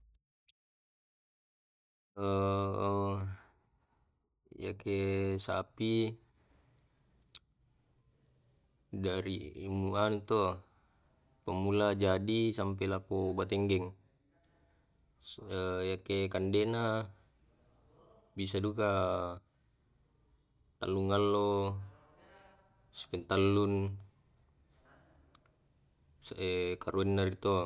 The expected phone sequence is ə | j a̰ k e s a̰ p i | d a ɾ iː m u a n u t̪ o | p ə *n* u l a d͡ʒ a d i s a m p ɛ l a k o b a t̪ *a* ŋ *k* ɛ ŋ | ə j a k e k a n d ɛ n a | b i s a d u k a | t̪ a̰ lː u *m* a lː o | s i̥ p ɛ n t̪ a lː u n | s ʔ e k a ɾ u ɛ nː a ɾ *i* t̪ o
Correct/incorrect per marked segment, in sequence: incorrect, incorrect, incorrect, incorrect, correct

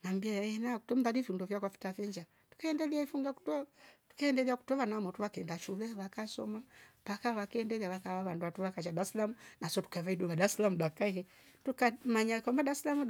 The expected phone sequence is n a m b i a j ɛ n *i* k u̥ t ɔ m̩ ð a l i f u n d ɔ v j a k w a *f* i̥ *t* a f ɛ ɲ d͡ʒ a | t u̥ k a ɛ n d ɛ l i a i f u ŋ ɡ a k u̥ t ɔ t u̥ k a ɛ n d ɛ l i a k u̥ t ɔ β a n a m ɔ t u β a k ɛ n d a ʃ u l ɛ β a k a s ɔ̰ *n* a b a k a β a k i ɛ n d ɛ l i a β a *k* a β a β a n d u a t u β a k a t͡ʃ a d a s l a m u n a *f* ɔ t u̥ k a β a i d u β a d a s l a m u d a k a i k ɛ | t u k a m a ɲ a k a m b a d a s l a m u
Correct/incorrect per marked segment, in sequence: incorrect, correct, correct, incorrect, correct, incorrect

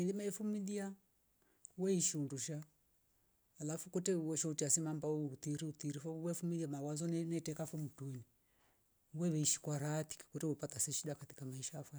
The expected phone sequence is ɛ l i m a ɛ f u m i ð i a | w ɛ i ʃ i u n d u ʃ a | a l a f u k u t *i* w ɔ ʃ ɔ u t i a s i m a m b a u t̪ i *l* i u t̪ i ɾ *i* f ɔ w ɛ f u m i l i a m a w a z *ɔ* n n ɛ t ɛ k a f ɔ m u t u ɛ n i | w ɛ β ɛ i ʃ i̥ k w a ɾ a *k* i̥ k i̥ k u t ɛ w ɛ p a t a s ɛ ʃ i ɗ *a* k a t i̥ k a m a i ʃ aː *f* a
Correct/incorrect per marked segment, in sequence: incorrect, incorrect, correct, correct, incorrect, correct, correct

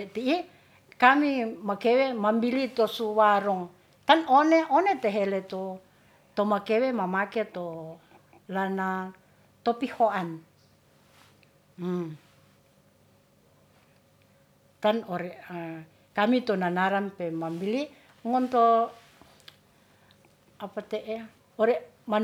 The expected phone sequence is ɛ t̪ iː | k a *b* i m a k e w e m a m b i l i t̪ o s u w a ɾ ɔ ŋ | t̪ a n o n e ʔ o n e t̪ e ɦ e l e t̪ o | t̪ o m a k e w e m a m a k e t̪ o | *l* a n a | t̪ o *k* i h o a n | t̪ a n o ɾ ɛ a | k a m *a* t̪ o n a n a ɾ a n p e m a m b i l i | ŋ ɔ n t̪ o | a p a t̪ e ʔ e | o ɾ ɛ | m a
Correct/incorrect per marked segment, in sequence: incorrect, correct, incorrect, incorrect

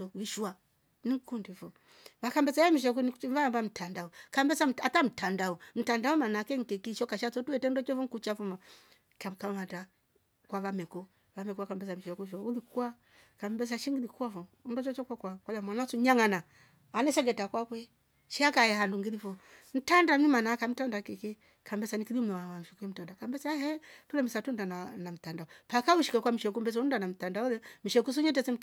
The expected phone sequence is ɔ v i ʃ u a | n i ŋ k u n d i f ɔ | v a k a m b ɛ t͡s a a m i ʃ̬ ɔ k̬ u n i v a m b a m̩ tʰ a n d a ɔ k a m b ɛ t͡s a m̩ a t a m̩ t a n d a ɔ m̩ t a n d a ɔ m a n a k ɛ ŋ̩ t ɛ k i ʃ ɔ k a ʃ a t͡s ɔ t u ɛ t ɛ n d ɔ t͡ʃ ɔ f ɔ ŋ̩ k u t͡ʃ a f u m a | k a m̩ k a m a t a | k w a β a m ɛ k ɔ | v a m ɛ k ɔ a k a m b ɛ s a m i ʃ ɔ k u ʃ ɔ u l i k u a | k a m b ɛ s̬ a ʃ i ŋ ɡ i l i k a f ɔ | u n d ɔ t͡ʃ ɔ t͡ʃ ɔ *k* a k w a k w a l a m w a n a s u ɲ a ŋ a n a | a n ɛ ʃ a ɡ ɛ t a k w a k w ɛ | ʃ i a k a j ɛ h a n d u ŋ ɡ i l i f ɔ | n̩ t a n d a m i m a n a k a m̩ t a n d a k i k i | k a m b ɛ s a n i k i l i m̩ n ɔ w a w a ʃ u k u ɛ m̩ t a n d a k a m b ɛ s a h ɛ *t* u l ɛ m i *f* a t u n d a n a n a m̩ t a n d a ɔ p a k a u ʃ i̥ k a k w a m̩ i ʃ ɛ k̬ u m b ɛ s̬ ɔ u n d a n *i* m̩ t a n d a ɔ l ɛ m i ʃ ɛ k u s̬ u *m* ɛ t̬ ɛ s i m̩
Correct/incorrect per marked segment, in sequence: correct, correct, incorrect, incorrect, incorrect

